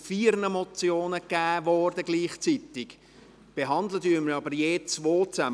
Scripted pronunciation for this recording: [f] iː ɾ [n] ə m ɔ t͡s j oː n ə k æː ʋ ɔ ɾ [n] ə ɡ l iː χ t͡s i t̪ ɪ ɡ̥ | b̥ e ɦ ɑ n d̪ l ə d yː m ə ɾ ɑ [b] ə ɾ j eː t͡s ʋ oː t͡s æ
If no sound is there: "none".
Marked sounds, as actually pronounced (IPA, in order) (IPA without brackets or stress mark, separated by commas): f, n, d, b